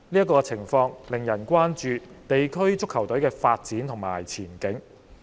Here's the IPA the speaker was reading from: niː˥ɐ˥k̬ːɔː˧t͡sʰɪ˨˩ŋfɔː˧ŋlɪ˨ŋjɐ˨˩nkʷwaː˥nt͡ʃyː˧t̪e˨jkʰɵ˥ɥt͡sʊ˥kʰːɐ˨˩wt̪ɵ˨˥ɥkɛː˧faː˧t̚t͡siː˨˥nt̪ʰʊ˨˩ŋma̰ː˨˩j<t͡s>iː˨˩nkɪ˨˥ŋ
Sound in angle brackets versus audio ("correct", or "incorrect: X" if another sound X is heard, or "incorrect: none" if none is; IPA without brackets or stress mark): incorrect: t͡sʰ